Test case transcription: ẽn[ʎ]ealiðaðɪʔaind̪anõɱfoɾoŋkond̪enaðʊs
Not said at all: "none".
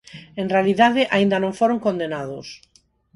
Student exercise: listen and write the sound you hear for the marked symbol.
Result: r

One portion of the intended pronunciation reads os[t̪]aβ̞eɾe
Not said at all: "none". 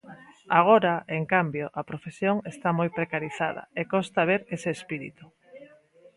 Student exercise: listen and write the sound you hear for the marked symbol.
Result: t̪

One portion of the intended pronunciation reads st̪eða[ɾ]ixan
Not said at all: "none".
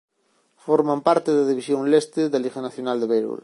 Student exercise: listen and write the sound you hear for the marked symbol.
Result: l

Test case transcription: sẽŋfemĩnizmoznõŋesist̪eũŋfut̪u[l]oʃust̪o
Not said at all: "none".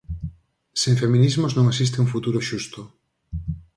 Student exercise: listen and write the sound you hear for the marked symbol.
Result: ɾ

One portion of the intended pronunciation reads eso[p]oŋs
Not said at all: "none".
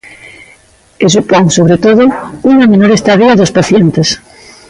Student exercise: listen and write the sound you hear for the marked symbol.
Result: p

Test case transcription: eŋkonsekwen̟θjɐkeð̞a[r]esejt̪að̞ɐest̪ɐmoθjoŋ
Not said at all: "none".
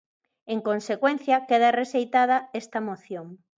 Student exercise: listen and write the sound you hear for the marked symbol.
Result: r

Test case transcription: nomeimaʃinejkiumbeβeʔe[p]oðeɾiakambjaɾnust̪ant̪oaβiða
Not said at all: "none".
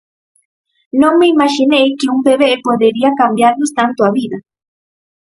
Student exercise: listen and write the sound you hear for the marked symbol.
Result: p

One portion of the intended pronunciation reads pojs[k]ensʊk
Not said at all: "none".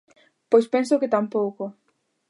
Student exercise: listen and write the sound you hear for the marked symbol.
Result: p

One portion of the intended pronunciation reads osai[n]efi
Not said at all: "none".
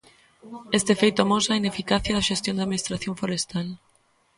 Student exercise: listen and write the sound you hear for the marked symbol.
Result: n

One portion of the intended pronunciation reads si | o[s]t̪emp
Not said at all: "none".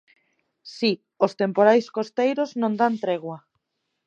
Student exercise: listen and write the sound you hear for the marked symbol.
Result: s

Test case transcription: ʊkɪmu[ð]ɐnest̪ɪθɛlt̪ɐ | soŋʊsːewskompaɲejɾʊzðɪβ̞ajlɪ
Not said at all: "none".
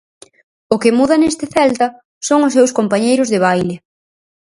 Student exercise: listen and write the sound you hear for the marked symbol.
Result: ð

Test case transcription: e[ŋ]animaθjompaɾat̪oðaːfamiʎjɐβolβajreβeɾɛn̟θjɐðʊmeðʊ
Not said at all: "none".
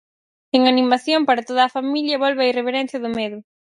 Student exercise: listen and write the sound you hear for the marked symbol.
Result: ŋ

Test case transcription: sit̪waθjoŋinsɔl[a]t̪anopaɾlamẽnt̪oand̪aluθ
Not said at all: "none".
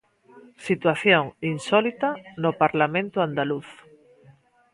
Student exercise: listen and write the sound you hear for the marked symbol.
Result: i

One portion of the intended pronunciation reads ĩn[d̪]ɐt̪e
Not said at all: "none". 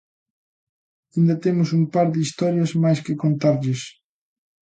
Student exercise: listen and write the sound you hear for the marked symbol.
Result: d̪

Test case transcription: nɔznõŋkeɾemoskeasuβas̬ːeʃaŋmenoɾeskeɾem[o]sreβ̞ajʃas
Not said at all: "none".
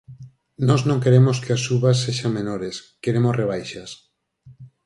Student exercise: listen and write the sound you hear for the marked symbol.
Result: o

